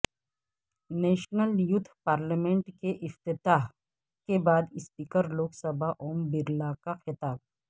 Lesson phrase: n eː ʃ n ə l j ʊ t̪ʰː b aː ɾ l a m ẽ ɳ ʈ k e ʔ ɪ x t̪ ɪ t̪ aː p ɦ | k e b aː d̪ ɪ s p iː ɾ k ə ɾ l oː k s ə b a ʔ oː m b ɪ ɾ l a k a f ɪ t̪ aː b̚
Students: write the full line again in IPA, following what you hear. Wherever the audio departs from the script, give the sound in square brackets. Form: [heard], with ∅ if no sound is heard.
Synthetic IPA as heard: n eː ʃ n ə l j ʊ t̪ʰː [p] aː ɾ l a m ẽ ɳ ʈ k e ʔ ɪ [f] t̪ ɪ t̪ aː [∅] ɦ | k e b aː d̪ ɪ s p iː [∅] k ə ɾ l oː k s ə b a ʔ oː m b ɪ ɾ l a k a [x] ɪ t̪ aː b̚